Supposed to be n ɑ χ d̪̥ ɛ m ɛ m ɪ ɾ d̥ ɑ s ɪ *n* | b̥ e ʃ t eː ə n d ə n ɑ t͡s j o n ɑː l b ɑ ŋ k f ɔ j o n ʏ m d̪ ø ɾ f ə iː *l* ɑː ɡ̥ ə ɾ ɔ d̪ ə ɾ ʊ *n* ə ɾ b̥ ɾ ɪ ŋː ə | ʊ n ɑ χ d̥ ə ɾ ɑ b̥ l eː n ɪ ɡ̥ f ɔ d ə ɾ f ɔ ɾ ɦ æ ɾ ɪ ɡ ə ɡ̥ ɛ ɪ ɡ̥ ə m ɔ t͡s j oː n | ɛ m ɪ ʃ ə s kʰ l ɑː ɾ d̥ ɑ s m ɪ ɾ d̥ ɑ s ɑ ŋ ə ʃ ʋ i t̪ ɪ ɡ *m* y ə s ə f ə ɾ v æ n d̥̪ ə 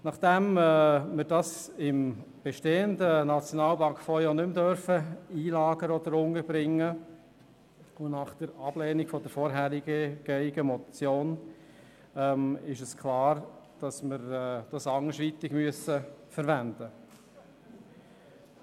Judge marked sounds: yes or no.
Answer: no, yes, no, yes

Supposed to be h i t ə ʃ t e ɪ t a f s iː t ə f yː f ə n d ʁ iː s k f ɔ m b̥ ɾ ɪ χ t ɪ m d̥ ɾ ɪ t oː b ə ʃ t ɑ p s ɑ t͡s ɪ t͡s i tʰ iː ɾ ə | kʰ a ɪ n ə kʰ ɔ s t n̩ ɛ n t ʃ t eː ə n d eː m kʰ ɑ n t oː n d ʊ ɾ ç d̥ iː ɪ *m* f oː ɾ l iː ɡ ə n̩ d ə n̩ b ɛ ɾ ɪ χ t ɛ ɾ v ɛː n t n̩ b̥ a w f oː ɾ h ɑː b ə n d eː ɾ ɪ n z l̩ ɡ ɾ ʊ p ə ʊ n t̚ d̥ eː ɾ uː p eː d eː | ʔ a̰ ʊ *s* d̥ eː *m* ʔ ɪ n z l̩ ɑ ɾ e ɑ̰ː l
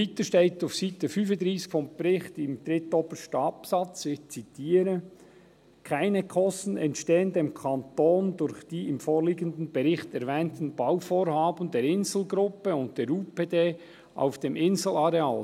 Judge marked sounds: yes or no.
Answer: yes, no, yes

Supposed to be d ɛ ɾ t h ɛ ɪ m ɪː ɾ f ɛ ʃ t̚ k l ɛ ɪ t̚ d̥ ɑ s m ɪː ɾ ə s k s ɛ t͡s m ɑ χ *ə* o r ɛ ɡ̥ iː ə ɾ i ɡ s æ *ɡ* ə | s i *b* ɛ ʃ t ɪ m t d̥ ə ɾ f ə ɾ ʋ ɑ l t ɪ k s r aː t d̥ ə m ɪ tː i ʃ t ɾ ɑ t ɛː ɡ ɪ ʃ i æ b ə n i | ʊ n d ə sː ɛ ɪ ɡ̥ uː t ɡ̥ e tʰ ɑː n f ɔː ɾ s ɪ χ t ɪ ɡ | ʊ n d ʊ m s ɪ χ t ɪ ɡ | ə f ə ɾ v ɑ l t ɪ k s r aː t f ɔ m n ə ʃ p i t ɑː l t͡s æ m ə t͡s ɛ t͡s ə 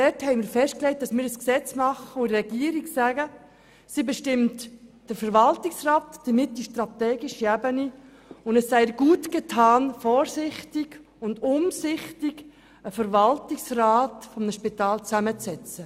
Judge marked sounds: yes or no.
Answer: yes, yes, yes

